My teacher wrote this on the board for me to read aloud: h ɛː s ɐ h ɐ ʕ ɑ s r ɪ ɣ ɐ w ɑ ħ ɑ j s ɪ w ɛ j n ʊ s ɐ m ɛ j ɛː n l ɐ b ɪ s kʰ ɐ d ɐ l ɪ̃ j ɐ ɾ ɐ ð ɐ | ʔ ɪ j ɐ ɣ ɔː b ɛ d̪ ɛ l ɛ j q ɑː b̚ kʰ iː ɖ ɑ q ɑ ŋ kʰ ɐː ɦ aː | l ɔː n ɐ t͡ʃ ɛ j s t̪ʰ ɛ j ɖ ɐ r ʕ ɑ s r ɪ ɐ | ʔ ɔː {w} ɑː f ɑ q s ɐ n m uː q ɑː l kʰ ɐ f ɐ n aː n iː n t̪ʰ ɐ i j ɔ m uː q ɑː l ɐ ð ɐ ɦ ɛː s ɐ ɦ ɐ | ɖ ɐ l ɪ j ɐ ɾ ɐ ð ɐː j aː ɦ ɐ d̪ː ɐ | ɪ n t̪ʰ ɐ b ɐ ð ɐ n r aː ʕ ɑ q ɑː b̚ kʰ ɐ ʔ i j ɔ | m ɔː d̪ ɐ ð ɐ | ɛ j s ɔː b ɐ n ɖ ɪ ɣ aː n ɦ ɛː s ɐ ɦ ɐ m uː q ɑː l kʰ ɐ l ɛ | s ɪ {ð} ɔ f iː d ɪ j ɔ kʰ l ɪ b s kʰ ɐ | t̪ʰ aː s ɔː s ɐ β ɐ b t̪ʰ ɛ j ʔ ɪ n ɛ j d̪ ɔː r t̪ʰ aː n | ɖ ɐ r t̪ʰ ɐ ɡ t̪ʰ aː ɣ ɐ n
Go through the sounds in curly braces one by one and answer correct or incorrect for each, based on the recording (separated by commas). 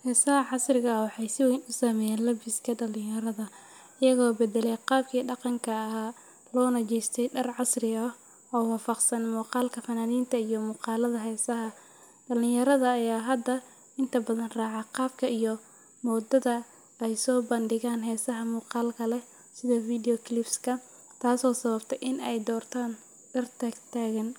correct, correct